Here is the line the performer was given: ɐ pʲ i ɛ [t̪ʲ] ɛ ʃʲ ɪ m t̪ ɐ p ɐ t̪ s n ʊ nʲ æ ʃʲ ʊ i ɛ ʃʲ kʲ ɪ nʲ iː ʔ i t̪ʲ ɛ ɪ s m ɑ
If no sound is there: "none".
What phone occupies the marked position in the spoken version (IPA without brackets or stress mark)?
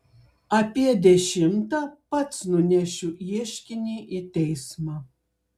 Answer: d̪ʲ